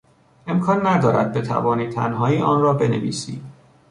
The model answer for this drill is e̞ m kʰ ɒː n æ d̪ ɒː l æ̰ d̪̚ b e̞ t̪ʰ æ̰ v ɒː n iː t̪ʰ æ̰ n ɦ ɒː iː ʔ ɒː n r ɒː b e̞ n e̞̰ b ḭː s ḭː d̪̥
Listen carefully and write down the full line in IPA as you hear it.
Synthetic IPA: e̞ m kʰ ɒː nː æ d̪ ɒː ɾ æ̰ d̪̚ b e̞ t̪ʰ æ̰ v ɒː n iː t̪ʰ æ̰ n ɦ ɒː iː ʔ ɒː n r ɒː b e̞ n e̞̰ v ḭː s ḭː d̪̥